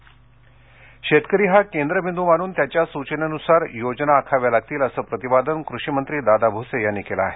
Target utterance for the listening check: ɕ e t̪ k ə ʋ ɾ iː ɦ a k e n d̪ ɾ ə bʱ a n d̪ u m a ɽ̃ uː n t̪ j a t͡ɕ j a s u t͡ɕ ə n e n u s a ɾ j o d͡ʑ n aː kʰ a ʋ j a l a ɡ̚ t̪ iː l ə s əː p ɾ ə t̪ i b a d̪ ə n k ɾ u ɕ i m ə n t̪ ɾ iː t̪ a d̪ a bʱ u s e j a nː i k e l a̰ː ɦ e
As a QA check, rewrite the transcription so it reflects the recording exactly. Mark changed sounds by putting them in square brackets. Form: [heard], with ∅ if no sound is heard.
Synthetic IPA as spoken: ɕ e t̪ k ə [∅] ɾ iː ɦ a k e n d̪ ɾ ə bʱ [i] n d̪ u m a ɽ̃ uː n t̪ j a t͡ɕ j a s u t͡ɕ ə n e n u s a ɾ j o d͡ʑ n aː kʰ a ʋ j a l a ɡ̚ t̪ iː l ə s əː p ɾ ə t̪ i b a d̪ ə n k ɾ u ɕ i m ə n t̪ ɾ iː [d̪] a d̪ a bʱ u s e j a nː i k e l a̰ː ɦ e